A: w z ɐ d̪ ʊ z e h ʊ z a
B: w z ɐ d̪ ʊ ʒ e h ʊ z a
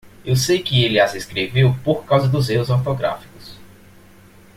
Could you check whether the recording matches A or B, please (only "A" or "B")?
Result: A